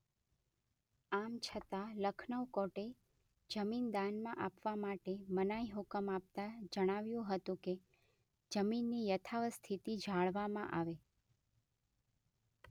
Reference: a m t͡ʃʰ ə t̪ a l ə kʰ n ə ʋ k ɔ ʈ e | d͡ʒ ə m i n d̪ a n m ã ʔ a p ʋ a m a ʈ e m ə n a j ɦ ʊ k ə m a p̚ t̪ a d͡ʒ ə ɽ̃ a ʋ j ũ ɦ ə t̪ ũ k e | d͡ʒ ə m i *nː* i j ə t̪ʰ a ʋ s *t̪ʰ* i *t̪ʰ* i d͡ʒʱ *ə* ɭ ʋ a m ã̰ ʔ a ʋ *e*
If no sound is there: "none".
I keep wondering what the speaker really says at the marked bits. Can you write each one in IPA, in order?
nː, t̪ʰ, t̪, a, e

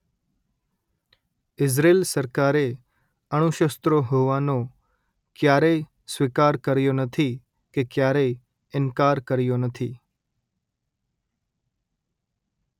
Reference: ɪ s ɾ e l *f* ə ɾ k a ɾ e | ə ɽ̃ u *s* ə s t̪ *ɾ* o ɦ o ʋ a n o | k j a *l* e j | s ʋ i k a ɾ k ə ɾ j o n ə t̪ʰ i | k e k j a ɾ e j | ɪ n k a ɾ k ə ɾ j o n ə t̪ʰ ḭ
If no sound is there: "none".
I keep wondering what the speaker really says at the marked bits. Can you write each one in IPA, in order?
s, ʃ, ɾ, ɾ

